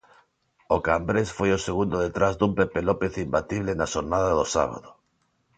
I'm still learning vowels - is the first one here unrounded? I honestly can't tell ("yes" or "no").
no